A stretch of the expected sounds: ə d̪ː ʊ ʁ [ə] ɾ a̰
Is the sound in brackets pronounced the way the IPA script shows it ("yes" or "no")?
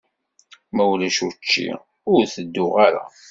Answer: no